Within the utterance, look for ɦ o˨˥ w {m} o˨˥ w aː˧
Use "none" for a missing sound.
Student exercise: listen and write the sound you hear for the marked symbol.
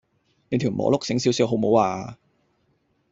m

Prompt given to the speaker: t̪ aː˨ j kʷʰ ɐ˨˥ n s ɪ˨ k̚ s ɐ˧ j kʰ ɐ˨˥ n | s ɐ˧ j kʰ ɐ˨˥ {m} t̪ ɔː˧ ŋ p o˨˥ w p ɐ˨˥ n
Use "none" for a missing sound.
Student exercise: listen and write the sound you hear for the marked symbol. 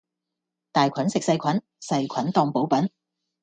n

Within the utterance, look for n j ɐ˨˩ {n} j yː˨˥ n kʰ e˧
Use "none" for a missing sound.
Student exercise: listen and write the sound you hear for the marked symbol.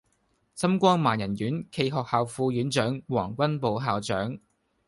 n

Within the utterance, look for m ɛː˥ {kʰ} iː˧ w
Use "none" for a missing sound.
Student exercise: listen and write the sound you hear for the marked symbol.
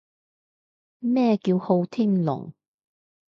k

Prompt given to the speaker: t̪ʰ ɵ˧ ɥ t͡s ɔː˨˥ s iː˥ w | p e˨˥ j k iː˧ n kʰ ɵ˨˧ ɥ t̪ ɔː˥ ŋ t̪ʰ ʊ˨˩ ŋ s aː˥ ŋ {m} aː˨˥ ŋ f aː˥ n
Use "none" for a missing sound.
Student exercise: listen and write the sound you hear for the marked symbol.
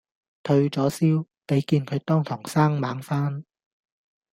m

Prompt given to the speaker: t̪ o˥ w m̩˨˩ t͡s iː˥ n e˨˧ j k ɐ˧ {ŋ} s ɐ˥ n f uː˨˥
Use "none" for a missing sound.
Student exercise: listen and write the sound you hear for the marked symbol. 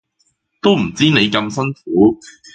m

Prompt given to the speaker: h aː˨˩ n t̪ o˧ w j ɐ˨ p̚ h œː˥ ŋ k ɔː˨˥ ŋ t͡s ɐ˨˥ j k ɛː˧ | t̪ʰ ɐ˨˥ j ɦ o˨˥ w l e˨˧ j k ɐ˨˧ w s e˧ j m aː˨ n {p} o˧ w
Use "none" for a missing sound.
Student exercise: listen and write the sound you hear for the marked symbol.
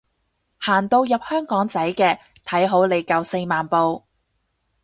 p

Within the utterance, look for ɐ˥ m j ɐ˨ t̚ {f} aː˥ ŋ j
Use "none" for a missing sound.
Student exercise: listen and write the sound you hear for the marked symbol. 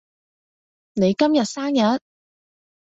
s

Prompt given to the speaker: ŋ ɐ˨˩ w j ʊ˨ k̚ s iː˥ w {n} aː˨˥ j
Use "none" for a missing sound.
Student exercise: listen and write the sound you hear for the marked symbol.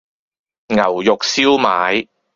m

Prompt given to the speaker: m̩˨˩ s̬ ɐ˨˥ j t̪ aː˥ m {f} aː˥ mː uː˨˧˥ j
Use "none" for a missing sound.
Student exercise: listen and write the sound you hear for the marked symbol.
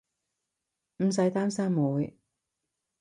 s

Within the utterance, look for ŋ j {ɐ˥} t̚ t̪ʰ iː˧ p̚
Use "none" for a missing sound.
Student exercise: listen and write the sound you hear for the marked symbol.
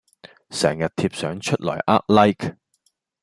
ɐ˨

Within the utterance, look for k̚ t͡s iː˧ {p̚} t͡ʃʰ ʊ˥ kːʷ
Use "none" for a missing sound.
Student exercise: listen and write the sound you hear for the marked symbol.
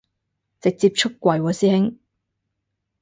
p̚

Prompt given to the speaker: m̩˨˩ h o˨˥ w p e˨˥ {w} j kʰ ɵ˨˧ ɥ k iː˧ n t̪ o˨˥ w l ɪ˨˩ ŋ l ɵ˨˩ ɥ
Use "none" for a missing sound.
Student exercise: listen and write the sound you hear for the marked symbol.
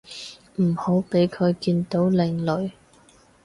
none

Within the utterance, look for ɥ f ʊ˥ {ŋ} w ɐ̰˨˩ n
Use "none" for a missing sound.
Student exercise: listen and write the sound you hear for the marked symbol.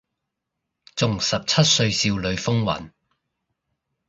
ŋ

